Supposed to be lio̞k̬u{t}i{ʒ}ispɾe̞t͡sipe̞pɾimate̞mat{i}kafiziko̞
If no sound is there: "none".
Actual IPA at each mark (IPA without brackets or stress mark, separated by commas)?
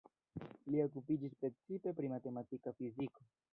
p, d͡ʒ, i